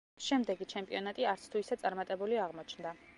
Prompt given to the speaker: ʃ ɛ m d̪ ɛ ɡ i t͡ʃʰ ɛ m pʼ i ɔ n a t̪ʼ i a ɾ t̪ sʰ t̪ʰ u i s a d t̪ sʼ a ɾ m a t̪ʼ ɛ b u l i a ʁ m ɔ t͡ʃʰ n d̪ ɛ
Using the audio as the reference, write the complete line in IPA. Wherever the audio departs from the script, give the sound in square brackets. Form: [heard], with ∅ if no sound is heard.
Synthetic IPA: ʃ ɛ m d̪ ɛ ɡ i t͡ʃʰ ɛ m pʼ i ɔ n a t̪ʼ i a ɾ t̪ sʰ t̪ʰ u i s a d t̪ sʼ a ɾ m a t̪ʼ ɛ b u l i a ʁ m ɔ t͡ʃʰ n d̪ [a]